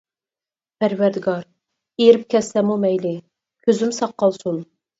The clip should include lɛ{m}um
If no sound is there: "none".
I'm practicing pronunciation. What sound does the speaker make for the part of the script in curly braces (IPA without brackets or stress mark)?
m